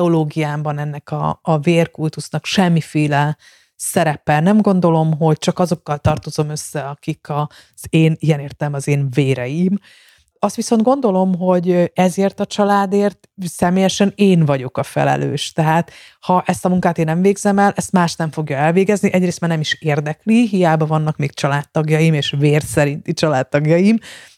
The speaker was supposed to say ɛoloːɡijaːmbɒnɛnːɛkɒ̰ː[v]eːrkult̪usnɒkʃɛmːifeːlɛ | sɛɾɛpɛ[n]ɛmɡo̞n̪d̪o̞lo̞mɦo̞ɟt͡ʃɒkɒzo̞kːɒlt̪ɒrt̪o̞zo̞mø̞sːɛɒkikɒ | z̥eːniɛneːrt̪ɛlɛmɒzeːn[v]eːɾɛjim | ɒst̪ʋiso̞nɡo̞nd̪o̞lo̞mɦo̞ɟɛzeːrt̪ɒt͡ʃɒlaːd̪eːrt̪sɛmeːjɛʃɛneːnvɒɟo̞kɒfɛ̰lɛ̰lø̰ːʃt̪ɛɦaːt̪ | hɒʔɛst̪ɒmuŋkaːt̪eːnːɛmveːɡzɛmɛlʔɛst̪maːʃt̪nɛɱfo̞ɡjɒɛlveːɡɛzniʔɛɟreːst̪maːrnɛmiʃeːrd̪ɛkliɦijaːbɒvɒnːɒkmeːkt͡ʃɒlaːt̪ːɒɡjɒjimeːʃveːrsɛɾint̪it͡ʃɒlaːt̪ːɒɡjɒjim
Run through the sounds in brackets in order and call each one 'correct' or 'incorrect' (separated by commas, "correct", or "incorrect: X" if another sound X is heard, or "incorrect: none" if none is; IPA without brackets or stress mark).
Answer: correct, correct, correct